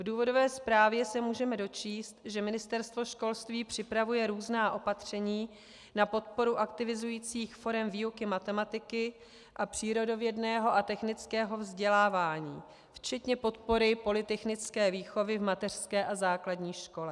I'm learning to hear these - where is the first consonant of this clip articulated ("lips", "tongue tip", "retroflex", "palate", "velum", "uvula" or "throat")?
lips